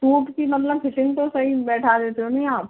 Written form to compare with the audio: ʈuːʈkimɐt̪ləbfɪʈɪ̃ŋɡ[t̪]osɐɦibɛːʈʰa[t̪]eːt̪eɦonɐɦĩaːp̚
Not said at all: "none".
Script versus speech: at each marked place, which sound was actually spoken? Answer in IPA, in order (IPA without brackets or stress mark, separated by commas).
t̪, d̪